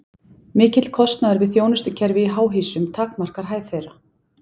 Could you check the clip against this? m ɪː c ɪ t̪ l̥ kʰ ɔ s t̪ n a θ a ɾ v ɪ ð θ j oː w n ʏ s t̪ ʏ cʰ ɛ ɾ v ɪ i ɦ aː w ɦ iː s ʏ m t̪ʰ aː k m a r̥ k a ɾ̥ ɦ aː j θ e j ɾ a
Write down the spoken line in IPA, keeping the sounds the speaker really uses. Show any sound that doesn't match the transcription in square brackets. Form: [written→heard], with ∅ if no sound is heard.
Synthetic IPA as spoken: m ɪː c ɪ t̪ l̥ kʰ ɔ s t̪ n a [θ→ð] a ɾ v ɪ ð θ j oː w n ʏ s t̪ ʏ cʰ ɛ ɾ v ɪ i ɦ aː w ɦ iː s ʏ m t̪ʰ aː k m a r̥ k a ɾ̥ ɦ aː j θ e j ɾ a